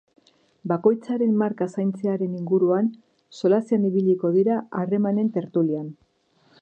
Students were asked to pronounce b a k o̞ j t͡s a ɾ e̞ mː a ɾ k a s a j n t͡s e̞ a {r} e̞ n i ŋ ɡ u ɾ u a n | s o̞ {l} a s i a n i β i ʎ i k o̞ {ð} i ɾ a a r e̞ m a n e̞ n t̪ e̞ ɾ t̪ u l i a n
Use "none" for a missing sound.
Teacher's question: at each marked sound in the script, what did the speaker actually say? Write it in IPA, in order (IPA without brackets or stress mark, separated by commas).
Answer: ɾ, l, ð